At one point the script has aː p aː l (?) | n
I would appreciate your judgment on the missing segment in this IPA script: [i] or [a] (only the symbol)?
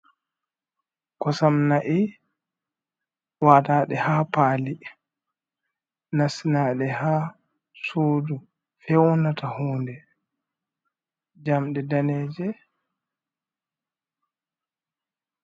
i